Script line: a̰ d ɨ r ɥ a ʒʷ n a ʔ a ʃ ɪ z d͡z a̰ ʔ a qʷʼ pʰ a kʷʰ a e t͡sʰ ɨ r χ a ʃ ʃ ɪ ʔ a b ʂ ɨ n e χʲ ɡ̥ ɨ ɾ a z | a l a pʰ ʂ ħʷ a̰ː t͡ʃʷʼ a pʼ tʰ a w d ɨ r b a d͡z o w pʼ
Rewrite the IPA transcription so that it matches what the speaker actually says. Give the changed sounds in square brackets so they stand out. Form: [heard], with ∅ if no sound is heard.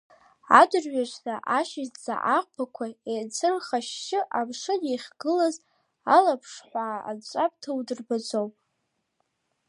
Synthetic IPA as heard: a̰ d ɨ r ɥ a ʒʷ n a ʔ a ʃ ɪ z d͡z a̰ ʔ a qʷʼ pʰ a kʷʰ a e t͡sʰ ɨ r χ a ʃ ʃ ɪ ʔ a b ʂ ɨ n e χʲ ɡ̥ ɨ [l] a z | a l a pʰ ʂ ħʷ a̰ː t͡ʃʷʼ a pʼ tʰ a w d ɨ r b a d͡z o w pʼ